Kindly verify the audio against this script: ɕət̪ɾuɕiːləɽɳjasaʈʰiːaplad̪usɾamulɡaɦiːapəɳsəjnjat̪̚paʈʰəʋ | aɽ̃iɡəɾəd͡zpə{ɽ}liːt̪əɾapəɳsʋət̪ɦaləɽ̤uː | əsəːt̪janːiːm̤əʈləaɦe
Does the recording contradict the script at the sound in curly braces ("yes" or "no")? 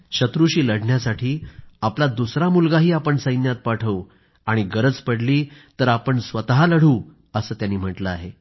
no